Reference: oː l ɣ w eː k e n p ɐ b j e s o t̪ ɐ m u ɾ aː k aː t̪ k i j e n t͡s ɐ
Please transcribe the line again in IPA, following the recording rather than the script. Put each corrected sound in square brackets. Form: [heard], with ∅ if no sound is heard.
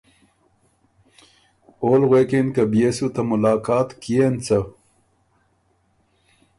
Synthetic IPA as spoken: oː l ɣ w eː k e n [k] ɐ b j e s [u] t̪ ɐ m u [l] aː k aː t̪ k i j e n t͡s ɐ

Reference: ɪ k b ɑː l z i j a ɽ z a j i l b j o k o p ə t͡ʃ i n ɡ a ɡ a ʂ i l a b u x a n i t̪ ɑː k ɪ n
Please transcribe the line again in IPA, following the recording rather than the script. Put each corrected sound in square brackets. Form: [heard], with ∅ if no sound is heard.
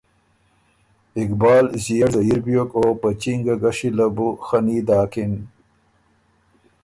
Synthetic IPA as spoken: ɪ k b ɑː l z i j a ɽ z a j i [ɾ] b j o k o p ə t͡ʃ i [ŋ] ɡ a ɡ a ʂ i l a b u x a n i [d̪] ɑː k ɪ n

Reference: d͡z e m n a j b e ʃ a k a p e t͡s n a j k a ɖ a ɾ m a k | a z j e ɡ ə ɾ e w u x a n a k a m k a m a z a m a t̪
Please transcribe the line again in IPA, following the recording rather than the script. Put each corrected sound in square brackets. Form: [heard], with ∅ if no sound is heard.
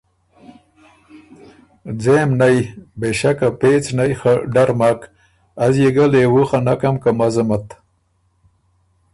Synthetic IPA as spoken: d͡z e m n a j b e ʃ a k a p e t͡s n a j [x] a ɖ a ɾ m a k | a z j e ɡ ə [l] e w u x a n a k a m k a m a z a m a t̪

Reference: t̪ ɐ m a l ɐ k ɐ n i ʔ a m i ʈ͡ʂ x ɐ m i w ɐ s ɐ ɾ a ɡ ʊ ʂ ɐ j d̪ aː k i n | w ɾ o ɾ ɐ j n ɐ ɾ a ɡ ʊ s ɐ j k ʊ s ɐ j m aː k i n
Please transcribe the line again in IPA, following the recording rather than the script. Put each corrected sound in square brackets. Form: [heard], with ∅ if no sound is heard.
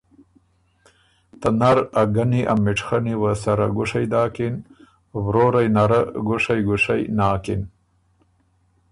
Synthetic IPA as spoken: t̪ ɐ [n] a [ɾ] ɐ [ɡ] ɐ n i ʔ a m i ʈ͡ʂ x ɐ [n] i w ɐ s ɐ ɾ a ɡ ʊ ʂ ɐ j d̪ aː k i n | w ɾ o ɾ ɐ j n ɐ ɾ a ɡ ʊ [ʂ] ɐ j [ɡ] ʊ [ʂ] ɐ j [n] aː k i n

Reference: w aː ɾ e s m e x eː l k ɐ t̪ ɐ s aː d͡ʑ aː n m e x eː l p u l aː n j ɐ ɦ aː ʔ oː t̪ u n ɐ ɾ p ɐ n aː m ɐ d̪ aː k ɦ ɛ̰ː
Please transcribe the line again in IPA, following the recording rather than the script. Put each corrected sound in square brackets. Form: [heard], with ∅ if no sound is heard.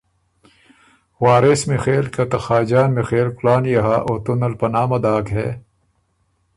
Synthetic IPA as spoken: w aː ɾ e s m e x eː l k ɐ t̪ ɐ [x] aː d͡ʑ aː n m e x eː l [k] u l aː n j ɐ ɦ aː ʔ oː t̪ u n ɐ [l] p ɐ n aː m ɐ d̪ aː k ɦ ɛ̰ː

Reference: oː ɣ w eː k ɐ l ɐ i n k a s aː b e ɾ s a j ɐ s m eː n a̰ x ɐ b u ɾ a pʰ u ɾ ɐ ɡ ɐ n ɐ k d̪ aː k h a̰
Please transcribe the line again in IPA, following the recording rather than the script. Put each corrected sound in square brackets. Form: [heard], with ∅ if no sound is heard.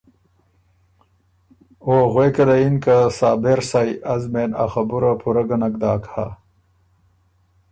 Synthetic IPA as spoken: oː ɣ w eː k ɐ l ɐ i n k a s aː b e ɾ s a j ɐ [z] m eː n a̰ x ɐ b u ɾ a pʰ u ɾ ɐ ɡ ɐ n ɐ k d̪ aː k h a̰

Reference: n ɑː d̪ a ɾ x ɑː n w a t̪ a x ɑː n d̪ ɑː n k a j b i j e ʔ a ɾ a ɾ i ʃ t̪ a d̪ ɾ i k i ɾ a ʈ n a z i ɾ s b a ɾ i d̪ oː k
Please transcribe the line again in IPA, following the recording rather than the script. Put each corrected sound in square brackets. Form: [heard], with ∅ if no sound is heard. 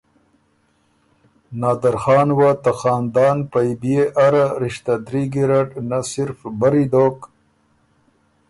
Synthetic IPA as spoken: n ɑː d̪ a ɾ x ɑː n w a t̪ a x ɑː n d̪ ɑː n [p] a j b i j e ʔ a ɾ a ɾ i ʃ t̪ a d̪ ɾ i [ɡ] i ɾ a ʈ n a [s] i ɾ [f] b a ɾ i d̪ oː k

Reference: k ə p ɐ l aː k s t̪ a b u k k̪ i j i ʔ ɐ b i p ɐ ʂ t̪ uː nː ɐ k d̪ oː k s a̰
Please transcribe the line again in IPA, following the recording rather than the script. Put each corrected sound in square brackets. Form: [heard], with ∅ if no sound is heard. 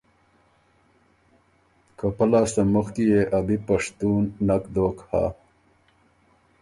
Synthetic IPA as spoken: k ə p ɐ l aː [∅] s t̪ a [m] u [x] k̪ i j [e] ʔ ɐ b i p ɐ ʂ t̪ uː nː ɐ k d̪ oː k [h] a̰

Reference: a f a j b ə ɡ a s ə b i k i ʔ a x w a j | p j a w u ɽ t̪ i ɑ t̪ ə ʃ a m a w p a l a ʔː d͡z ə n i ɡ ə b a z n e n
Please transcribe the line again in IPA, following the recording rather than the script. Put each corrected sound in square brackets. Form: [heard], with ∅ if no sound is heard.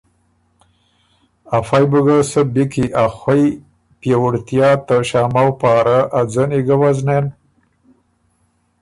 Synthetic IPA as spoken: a f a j b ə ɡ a s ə b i k i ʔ a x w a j | p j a w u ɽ t̪ [j] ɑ t̪ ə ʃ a m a w p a [ɾ] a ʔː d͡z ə n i ɡ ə [w] a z n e n

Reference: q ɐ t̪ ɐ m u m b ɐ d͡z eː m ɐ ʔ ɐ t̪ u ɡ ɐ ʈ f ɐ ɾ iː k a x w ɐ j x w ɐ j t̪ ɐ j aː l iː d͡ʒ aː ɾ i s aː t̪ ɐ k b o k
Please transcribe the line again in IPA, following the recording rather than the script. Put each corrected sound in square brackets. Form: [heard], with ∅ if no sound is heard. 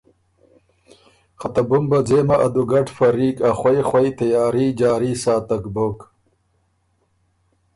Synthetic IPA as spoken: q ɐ t̪ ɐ [b] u m b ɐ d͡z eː m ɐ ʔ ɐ [d̪] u ɡ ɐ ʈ f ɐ ɾ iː k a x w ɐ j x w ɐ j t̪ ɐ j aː [ɾ] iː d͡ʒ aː ɾ i s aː t̪ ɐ k b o k

